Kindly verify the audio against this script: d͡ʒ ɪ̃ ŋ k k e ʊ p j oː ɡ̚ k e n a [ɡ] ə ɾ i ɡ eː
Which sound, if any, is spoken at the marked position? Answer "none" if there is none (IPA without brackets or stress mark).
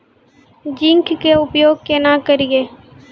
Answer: k